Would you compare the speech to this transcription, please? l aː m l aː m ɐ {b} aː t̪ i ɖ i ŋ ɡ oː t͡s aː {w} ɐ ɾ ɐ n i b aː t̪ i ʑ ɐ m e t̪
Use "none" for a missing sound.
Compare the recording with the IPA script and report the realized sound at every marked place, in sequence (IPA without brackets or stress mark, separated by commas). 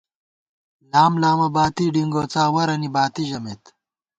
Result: b, w